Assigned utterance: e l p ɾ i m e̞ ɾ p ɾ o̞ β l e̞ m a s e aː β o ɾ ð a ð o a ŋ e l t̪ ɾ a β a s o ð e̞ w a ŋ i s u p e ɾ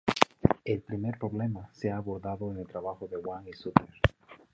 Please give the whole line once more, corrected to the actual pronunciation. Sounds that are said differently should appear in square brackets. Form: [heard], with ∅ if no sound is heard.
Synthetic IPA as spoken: e l p ɾ i m e̞ ɾ p ɾ o̞ β l e̞ m a s e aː β o ɾ ð a ð o [e] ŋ e l t̪ ɾ a β a [x] o ð e̞ w a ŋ i s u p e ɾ